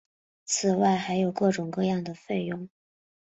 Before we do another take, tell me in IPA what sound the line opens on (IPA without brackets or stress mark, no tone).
t͡sʰ